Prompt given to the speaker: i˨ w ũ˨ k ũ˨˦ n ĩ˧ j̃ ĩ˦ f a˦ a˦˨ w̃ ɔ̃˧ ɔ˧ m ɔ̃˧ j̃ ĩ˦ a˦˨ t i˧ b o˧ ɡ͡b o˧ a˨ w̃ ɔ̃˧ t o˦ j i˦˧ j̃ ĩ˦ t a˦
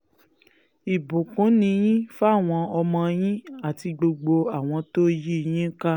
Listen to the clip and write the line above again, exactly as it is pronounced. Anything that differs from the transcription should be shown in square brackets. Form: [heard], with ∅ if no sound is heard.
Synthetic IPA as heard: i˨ [b] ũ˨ k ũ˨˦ n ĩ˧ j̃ ĩ˦ f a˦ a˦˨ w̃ ɔ̃˧ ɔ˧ m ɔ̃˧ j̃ ĩ˦ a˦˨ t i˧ [ɡ͡b] o˧ ɡ͡b o˧ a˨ w̃ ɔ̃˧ t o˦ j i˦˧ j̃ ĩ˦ [k] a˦